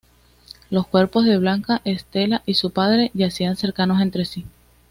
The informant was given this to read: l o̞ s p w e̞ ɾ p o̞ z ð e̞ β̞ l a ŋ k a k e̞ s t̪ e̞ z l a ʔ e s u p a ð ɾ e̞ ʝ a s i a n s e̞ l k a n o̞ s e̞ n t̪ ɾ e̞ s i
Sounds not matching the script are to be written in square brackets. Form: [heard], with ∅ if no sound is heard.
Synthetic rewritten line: l o̞ s [k] w e̞ ɾ p o̞ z ð e̞ β̞ l a ŋ k a [ʔ] e̞ s t̪ e̞ [∅] l a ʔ [i] s u p a ð ɾ e̞ ʝ a s i a n s e̞ [ɾ] k a n o̞ s e̞ n t̪ ɾ e̞ s i